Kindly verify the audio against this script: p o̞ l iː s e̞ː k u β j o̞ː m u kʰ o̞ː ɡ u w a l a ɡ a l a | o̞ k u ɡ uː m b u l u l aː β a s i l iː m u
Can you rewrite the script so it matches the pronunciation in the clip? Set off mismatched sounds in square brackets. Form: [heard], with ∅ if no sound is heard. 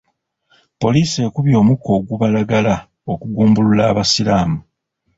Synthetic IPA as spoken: p o̞ l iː s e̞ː k u β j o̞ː m u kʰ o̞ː ɡ u [β] a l a ɡ a l a | o̞ k u ɡ uː m b u l u l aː β a s i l [aː] m u

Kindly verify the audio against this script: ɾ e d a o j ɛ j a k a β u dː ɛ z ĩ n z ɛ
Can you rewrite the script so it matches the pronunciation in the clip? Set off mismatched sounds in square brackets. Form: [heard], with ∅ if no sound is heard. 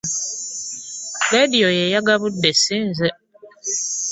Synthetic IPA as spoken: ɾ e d [i] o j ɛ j a [ɡ] a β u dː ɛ [s] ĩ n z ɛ

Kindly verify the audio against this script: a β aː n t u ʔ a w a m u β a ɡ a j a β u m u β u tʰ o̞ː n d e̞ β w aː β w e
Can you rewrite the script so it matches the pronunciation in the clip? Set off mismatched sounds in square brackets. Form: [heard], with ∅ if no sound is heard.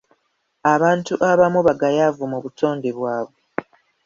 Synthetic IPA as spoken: a β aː n t u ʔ a [β] a m u β a ɡ a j a [v] u m u β u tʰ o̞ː n d e̞ β w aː β w e

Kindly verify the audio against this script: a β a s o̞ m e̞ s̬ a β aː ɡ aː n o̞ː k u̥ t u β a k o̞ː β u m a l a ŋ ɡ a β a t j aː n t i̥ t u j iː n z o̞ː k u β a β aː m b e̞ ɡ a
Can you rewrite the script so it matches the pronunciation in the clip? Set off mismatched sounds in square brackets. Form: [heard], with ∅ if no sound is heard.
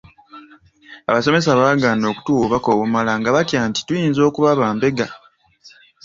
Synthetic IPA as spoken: a β a s o̞ m e̞ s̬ a β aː ɡ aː n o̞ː k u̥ t u β a k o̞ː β u m a l a ŋ ɡ a β a t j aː n t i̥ t u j iː n z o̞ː k u β a β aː m b e̞ ɡ a

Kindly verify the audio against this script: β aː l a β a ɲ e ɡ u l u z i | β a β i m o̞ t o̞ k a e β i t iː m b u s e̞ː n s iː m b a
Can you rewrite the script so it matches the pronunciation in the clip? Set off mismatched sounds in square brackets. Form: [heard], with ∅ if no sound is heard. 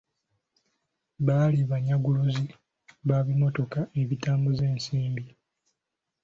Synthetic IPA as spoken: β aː l [i] β a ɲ [a] ɡ u l u z i | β a β i m o̞ t o̞ k a e β i t [aː] m b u [z] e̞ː n s iː m b [i]

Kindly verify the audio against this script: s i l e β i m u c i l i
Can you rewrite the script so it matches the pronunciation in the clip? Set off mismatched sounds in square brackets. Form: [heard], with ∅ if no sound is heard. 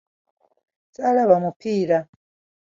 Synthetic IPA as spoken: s [a] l [a] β [a] m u [p] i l [a]

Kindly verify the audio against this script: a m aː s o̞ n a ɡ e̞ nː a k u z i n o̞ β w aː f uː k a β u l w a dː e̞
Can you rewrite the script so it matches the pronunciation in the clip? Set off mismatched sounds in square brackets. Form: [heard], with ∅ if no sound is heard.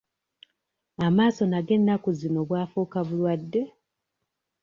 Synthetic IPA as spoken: a m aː s o̞ n a ɡ e̞ nː a k u z i n o̞ β w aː f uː k a β u l w a dː e̞

